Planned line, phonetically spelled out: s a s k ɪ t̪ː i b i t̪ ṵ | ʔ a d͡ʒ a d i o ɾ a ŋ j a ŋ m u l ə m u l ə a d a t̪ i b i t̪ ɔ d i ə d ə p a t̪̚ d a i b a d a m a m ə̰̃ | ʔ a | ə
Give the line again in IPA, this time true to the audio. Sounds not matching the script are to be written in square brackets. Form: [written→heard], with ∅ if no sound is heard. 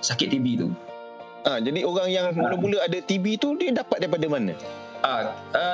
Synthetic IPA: s a [s→∅] k ɪ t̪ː i b i t̪ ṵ | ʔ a d͡ʒ a d i o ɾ a ŋ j a ŋ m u l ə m u l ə a d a t̪ i b i t̪ [ɔ→u] d i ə d [ə→a] p a t̪̚ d a i [b→p] a d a m a [m→n] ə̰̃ | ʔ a | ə